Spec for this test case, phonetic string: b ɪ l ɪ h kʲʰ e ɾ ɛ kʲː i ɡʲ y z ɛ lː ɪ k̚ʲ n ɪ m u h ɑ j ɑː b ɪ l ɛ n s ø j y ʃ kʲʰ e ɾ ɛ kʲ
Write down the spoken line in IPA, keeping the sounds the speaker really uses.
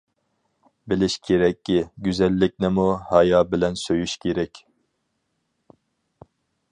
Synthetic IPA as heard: b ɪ l ɪ ʃ kʲʰ e ɾ ɛ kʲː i ɡʲ y z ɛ lː ɪ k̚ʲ n ɪ m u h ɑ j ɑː b ɪ l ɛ n s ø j y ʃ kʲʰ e ɾ ɛ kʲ